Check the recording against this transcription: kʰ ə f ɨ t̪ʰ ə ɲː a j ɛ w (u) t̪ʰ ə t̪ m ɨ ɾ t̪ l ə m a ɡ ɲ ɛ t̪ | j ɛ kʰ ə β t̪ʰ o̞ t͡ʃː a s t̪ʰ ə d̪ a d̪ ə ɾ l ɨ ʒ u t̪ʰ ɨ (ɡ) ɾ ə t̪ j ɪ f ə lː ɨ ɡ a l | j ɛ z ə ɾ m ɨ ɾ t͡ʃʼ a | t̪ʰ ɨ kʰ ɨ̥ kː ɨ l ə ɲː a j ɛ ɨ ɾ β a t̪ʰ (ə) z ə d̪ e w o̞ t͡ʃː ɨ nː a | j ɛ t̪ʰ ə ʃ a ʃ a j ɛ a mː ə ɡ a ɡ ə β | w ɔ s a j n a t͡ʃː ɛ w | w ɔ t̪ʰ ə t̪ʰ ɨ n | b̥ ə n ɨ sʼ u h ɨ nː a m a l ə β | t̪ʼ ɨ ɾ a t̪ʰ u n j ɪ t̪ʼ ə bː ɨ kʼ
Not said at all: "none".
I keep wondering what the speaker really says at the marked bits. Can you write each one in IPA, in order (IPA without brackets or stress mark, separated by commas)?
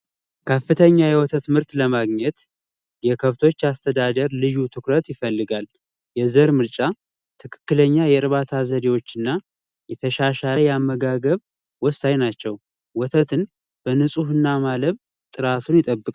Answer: ɔ, k, a